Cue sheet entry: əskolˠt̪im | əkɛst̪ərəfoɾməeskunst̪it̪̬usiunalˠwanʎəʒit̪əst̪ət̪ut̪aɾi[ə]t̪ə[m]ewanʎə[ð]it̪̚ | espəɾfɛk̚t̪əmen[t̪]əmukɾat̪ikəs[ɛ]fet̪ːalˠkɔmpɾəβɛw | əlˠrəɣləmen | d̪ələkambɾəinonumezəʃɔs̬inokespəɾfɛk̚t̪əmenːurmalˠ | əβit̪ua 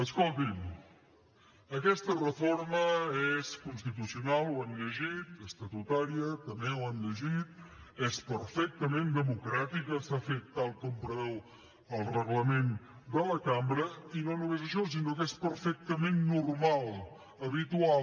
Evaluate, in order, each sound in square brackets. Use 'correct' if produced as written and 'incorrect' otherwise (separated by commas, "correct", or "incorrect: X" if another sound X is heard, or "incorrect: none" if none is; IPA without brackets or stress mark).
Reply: correct, correct, incorrect: ʒ, incorrect: d̪, incorrect: a